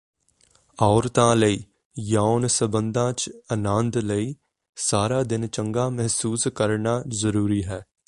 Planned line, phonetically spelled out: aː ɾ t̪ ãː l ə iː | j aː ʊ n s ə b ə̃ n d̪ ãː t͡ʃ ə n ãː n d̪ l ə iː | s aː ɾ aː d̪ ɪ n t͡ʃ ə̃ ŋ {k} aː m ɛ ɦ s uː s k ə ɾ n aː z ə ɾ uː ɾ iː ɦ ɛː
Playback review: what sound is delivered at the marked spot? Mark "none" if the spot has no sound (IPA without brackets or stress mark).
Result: ɡ